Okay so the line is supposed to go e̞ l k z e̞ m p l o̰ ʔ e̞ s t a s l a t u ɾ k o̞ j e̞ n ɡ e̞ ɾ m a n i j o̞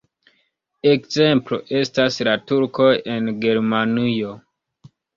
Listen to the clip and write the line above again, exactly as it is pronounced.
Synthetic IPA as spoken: e̞ k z e̞ m p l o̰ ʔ e̞ s t a s l a t u ɾ k o̞ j e̞ n ɡ e̞ ɾ m a n i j o̞